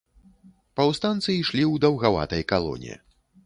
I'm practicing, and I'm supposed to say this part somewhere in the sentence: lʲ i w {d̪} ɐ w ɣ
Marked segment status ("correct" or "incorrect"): correct